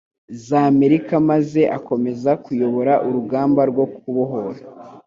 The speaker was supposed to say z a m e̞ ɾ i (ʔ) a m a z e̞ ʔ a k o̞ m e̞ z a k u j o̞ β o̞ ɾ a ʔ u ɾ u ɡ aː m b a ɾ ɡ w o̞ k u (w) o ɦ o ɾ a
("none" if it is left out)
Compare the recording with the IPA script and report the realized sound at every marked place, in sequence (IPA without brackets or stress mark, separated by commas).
k, β